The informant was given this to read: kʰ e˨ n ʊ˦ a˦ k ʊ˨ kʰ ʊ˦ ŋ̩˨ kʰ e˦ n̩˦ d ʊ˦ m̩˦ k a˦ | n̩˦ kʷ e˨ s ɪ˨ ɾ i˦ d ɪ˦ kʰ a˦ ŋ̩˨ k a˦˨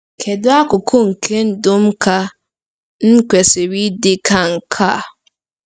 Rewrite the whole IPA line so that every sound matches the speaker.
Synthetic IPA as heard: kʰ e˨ d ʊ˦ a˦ k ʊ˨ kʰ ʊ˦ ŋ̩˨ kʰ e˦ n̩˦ d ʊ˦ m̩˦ k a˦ | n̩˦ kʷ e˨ s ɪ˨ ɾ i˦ d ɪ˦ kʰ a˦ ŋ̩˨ kʰ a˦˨